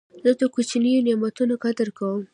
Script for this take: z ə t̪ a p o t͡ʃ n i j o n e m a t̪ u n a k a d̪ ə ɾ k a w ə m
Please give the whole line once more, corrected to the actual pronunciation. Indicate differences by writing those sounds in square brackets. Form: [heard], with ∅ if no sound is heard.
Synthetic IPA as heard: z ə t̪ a [k] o t͡ʃ n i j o n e m a t̪ u n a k a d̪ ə ɾ k a w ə m

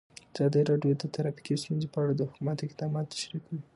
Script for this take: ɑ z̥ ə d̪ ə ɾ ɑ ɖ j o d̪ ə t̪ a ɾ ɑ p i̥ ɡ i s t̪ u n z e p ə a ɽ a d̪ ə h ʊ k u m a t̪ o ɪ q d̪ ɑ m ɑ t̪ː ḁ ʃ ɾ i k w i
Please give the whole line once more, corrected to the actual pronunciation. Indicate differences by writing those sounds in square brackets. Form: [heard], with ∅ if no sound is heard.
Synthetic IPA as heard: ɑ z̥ [ɑ] d̪ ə ɾ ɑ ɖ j o d̪ ə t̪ a ɾ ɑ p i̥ [k] i s t̪ u n z e p ə a ɽ a d̪ ə h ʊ k u m a t̪ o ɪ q d̪ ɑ m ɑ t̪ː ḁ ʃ ɾ i k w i

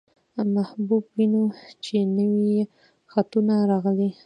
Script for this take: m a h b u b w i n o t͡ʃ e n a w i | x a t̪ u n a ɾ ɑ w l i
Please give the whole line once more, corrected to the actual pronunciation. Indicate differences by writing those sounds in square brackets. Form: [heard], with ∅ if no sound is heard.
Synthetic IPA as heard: m a h b u b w i n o t͡ʃ e n [ə] w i | x a t̪ u n a ɾ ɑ [ɣ] l i

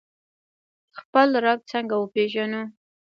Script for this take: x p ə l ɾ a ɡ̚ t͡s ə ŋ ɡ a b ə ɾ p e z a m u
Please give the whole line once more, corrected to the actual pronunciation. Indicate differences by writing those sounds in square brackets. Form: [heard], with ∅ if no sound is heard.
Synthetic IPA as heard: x p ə l ɾ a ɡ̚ t͡s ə ŋ ɡ a [w] ə [∅] p e [ʒ] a [n] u

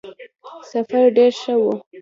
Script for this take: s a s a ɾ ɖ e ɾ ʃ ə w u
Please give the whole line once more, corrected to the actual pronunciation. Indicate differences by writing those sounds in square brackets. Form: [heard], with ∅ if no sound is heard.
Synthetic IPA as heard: s a [f] a ɾ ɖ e ɾ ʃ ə w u

